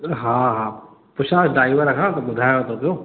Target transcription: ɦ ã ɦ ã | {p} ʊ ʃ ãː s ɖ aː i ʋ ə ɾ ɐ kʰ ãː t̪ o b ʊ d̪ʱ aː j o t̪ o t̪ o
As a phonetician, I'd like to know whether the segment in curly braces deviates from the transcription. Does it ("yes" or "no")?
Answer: no